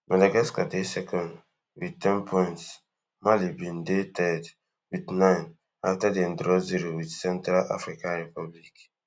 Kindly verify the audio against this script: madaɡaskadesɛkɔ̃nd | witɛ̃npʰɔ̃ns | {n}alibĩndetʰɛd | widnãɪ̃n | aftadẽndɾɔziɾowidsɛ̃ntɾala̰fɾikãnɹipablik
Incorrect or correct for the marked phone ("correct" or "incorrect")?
incorrect